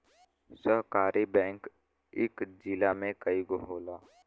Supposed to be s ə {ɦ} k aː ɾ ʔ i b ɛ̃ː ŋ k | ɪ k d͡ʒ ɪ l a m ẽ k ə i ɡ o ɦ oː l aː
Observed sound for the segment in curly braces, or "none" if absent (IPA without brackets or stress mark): ɦ